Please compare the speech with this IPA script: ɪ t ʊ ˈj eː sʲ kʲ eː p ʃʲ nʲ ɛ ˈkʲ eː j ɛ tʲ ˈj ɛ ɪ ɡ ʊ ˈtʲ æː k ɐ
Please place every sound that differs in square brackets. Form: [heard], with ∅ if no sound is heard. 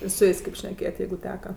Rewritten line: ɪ [s] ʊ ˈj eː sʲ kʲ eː p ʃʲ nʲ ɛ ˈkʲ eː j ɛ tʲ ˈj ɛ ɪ ɡ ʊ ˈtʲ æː k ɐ